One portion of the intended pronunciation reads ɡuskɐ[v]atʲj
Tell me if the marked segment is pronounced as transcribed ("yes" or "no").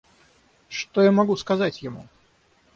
no